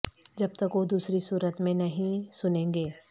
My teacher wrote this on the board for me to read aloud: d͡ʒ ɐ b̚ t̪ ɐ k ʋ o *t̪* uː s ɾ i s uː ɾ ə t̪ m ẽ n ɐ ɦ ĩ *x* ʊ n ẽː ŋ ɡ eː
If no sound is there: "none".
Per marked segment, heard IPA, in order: d̪, s

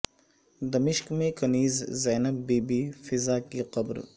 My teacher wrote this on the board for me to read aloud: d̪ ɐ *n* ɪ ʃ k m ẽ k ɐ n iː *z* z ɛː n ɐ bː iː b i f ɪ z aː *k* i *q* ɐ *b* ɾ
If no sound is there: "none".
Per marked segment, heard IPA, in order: m, z, k, q, b

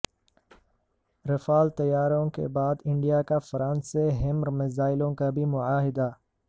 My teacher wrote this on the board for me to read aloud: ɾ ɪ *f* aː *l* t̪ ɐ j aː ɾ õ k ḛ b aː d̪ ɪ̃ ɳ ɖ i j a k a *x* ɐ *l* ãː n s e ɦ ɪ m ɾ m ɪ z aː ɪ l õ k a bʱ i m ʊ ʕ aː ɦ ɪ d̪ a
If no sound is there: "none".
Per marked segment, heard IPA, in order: f, l, f, ɾ

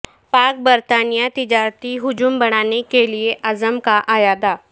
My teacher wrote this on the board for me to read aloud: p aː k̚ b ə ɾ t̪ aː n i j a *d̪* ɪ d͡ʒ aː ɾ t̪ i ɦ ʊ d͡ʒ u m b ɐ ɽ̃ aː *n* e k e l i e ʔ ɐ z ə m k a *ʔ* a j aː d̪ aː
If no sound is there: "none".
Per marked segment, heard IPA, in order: t̪, n, ʔ

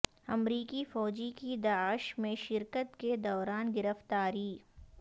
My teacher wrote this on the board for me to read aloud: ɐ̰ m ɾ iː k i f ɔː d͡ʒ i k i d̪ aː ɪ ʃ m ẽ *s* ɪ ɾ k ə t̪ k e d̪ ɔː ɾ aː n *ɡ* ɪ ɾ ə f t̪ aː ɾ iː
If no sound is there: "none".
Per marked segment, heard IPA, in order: ʃ, ɡ

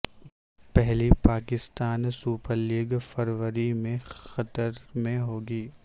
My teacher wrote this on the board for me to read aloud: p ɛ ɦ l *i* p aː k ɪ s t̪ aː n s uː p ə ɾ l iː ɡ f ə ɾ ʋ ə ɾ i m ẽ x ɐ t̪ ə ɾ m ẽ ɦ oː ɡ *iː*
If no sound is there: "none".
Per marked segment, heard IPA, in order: i, iː

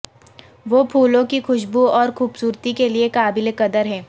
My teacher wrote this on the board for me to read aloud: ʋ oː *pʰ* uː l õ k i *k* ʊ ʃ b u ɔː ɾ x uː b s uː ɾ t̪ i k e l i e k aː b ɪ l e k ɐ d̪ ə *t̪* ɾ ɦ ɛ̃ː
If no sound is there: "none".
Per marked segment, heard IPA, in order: pʰ, x, none

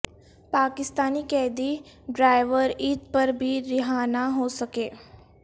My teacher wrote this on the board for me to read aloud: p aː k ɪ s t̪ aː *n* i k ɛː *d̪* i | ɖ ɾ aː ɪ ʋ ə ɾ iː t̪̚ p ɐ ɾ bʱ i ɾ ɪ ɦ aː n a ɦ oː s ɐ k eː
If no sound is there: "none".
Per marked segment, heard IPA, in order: n, d̪

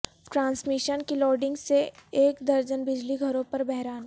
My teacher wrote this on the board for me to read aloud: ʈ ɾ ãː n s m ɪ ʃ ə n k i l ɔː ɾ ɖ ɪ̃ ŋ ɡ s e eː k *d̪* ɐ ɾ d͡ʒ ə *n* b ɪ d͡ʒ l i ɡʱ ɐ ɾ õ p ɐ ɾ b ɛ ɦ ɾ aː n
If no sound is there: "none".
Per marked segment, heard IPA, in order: d̪, n

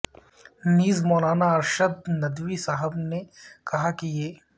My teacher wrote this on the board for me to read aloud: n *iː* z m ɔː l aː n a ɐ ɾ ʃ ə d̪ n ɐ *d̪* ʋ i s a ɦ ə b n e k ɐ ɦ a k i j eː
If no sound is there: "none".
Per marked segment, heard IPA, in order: iː, d̪

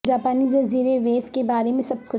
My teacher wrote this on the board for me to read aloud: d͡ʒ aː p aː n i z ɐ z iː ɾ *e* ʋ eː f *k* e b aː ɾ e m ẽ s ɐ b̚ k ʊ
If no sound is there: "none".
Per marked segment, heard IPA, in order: e, k

